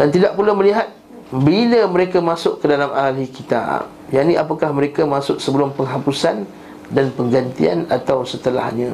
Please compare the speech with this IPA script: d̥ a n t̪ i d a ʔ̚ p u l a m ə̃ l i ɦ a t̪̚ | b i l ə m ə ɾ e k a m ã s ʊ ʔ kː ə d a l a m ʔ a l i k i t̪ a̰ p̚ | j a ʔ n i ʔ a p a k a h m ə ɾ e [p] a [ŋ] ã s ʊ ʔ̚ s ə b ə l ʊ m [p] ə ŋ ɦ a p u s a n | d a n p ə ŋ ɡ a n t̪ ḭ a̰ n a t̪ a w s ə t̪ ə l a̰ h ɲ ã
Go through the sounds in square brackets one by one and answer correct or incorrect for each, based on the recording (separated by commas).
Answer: incorrect, incorrect, correct